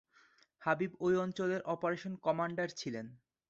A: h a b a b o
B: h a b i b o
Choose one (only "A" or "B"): B